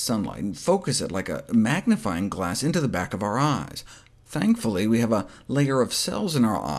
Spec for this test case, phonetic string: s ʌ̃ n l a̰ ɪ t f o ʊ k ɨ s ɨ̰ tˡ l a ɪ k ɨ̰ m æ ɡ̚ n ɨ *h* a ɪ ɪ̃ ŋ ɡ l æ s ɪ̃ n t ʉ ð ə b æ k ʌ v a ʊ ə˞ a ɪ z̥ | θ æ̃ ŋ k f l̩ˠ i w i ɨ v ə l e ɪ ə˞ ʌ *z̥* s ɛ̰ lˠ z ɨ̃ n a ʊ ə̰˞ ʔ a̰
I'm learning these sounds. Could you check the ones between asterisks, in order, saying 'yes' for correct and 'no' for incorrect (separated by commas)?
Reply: no, no